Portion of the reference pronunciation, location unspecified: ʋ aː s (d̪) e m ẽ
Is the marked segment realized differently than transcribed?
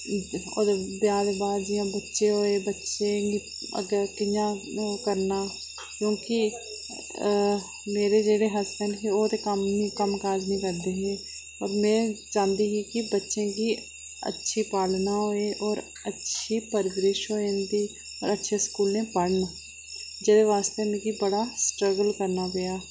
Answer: yes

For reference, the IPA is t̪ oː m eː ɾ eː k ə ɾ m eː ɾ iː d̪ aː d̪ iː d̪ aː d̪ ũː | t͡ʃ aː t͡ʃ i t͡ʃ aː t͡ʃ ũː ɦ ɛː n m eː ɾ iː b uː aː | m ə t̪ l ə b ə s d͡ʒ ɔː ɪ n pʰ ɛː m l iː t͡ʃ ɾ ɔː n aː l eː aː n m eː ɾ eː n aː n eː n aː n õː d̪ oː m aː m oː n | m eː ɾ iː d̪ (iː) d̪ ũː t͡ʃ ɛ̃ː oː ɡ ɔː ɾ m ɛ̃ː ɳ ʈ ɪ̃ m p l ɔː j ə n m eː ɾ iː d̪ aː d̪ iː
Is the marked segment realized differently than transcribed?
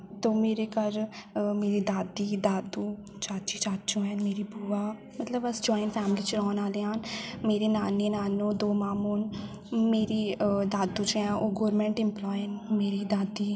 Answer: yes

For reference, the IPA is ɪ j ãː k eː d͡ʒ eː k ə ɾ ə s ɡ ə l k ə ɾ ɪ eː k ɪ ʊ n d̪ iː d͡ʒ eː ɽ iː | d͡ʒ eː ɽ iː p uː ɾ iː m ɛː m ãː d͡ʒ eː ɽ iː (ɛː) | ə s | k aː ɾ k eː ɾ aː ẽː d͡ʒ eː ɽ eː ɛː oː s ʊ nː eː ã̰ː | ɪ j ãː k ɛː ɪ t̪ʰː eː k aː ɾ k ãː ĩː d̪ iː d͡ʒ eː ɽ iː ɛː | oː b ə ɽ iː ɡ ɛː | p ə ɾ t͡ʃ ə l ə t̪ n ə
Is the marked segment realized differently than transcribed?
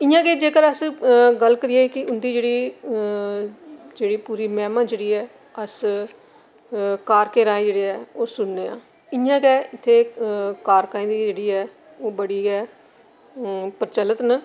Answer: no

